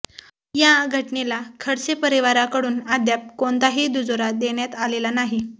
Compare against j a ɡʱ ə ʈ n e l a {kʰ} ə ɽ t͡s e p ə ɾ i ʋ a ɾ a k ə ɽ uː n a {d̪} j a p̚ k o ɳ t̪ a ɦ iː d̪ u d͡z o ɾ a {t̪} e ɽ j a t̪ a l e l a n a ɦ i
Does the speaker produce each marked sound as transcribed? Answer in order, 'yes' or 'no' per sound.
yes, yes, no

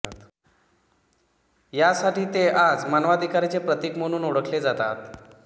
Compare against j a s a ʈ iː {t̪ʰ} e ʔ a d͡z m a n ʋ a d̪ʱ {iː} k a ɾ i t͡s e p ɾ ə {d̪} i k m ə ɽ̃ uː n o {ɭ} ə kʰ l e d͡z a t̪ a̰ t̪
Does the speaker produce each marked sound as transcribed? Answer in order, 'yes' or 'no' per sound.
no, no, no, no

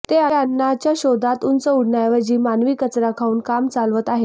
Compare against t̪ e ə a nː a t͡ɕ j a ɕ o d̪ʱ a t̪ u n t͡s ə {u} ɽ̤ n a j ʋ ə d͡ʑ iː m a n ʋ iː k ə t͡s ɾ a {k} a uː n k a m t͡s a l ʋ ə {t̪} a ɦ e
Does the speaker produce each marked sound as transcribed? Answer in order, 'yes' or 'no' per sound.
yes, no, yes

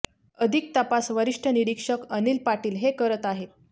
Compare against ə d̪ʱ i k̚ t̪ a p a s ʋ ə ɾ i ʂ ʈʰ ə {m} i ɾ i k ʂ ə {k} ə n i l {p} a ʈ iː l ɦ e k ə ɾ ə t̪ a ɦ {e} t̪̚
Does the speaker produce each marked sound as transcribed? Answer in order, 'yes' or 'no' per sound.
no, yes, yes, yes

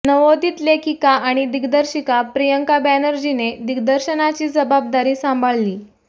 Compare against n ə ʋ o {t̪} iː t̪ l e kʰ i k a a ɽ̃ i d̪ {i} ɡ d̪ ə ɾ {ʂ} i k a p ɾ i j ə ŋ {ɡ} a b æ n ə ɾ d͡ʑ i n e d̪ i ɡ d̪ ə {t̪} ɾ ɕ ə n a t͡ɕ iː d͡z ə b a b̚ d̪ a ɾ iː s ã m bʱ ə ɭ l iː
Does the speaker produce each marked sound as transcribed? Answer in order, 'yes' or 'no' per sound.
no, yes, no, no, no

